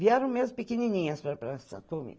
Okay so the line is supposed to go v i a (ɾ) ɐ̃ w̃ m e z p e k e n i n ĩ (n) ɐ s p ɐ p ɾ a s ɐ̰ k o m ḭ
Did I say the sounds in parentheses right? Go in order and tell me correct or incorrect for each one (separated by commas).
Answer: correct, incorrect